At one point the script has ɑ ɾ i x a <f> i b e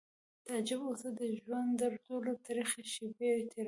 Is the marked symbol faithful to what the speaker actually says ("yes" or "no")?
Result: no